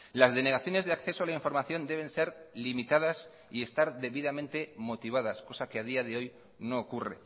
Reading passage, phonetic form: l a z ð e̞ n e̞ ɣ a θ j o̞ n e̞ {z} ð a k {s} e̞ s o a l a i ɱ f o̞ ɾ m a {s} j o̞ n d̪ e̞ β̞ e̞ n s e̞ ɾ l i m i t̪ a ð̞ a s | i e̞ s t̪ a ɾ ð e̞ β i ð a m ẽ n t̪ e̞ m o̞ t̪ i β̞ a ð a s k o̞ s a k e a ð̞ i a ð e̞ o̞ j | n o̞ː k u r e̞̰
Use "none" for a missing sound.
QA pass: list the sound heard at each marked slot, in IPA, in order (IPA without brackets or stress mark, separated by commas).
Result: z, θ, θ